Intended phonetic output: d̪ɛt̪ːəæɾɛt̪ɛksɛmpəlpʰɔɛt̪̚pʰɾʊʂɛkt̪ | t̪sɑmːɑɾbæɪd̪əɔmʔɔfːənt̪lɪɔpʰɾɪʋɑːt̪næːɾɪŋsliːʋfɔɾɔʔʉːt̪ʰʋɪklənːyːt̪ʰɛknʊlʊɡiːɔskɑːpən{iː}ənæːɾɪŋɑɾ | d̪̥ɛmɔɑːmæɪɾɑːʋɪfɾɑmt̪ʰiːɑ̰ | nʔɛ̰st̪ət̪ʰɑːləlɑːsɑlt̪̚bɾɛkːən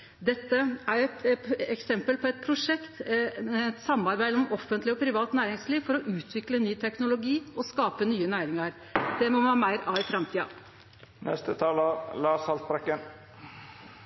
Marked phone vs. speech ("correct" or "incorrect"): incorrect